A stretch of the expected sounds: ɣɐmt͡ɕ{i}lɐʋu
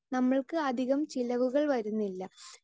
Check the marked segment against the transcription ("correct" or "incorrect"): correct